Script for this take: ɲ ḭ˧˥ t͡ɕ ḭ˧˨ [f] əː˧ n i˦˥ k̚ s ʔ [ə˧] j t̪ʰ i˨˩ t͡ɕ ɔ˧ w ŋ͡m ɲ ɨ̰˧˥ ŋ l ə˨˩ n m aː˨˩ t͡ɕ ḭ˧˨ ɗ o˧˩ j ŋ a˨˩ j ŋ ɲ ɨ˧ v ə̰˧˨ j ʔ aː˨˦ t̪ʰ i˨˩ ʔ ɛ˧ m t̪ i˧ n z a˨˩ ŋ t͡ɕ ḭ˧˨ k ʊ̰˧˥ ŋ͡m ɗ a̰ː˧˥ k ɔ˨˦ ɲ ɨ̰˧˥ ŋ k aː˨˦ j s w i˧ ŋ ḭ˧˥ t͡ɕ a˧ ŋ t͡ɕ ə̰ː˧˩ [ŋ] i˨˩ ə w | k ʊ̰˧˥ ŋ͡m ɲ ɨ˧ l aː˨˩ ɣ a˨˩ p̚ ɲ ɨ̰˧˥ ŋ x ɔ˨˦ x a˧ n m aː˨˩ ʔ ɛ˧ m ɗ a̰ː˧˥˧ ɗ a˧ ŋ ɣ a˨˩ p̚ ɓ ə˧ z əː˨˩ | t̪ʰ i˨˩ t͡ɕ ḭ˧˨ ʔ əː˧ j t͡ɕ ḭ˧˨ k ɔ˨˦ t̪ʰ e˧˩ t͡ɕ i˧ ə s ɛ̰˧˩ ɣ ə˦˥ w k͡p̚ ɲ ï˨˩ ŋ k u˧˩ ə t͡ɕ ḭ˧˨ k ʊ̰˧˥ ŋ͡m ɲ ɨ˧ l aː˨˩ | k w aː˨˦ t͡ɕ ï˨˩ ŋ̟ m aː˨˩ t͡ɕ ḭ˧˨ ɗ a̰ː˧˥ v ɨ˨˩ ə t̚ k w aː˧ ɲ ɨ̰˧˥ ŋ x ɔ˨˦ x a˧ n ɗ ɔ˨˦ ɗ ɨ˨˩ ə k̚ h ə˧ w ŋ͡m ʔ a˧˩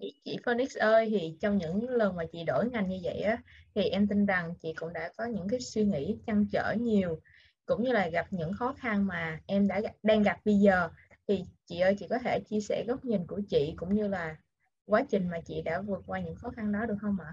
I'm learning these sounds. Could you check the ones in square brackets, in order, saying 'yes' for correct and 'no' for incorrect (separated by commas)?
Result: yes, no, no